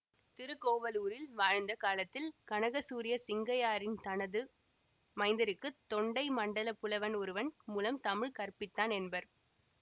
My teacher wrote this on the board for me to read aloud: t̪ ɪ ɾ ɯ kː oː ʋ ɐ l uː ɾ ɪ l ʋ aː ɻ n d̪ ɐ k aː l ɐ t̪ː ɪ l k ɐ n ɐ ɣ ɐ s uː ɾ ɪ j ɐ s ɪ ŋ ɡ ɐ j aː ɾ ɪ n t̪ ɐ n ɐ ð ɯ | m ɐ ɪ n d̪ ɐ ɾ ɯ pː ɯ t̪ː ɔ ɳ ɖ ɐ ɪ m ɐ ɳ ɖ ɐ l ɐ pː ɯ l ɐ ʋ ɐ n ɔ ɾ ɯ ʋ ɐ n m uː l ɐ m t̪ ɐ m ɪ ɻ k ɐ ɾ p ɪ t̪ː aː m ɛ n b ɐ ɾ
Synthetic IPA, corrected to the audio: t̪ ɪ ɾ ɯ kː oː ʋ ɐ l uː ɾ ɪ l ʋ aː ɻ n d̪ ɐ k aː l ɐ t̪ː ɪ l k ɐ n ɐ ɣ ɐ s uː ɾ ɪ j ɐ s ɪ ŋ ɡ ɐ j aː ɾ ɪ n t̪ ɐ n ɐ ð ɯ | m ɐ ɪ n d̪ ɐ ɾ ɯ kː ɯ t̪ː ɔ ɳ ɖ ɐ ɪ m ɐ ɳ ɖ ɐ l ɐ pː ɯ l ɐ ʋ ɐ n ɔ ɾ ɯ ʋ ɐ n m uː l ɐ m t̪ ɐ m ɪ ɻ k ɐ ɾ p ɪ t̪ː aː n ɛ n b ɐ ɾ